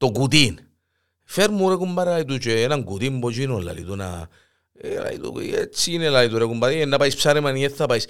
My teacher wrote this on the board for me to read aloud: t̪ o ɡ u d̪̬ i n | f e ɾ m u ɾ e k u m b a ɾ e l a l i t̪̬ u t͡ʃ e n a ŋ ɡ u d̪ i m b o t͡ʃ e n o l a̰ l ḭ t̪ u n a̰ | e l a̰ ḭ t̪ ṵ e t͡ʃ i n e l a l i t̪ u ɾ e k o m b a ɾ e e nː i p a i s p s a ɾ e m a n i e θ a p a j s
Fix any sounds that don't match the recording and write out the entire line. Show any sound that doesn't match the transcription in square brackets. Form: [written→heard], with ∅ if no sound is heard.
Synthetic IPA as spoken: t̪ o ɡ u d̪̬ i n | f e ɾ m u ɾ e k u m b a ɾ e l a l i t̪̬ u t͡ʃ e n a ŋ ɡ u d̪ i m b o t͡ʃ [e→i] n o l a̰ l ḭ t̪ u n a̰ | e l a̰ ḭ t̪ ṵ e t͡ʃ i n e l a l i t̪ u ɾ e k [o→u] m b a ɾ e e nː [i→a] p a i s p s a ɾ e m a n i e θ a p a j s